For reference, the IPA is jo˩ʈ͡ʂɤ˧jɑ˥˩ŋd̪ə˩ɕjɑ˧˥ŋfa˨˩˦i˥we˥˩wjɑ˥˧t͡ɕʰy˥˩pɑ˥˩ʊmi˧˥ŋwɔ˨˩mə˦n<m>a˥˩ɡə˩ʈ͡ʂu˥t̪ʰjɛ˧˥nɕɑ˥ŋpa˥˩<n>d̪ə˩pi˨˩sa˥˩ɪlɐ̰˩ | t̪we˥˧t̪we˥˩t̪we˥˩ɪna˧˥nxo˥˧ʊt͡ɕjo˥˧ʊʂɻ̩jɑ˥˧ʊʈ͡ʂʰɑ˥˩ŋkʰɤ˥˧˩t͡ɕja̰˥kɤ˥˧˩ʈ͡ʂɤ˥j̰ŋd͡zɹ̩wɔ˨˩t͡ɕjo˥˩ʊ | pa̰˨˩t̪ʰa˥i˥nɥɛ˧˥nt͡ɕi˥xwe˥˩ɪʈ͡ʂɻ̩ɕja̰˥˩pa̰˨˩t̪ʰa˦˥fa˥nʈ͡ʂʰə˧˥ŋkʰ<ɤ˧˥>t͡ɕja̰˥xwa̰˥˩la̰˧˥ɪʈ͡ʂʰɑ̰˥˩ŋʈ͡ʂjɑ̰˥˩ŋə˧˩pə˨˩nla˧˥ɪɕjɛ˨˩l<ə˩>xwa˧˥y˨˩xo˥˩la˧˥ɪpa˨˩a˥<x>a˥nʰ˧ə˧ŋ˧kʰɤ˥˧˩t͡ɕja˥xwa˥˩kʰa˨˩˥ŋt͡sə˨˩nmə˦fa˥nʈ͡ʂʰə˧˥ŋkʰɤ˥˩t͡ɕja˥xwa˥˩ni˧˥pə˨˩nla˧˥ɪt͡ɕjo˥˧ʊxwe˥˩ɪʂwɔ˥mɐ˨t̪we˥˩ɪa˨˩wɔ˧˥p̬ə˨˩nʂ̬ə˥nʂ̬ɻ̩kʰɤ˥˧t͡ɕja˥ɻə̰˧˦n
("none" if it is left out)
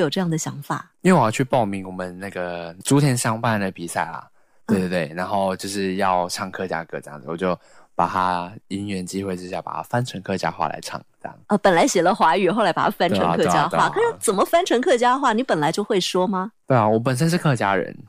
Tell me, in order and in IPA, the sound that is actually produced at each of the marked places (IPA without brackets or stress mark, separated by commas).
n, n, ɤ˥˧, ə˦, f